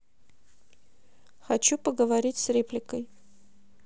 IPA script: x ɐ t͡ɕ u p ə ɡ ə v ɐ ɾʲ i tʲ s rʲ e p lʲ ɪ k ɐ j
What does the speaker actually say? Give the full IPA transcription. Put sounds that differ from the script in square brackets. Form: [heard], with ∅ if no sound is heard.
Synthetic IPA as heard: x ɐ t͡ɕ u p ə ɡ ə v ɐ ɾʲ i tʲ s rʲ e p lʲ ɪ k [ə] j